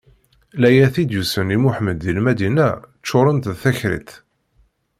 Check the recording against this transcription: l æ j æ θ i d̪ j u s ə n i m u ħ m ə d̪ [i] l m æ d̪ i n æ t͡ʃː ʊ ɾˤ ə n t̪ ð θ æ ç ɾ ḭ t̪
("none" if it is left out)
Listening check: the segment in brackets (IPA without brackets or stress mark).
i